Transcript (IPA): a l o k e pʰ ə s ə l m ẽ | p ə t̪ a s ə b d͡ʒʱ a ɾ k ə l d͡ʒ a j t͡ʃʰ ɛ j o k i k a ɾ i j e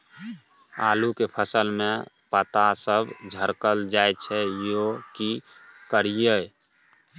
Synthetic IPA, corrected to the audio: a l u k e pʰ ə s ə l m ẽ | p ə t̪ a s ə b d͡ʒʱ ə ɾ k ə l d͡ʒ a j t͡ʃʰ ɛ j o k i k ə ɾ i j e